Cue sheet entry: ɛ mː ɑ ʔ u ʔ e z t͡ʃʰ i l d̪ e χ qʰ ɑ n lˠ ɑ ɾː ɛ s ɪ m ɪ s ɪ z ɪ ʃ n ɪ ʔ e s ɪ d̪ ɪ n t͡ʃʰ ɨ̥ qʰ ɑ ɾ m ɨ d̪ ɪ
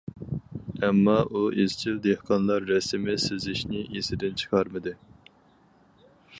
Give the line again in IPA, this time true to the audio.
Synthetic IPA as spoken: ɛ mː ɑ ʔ u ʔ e z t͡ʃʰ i l d̪ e h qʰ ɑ n lˠ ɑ ɾː ɛ s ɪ m ɪ s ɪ z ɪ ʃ n ɪ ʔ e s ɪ d̪ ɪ n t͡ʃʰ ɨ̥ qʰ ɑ ɾ m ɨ d̪ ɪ